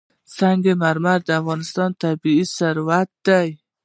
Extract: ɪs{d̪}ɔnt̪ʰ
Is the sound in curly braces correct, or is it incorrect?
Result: incorrect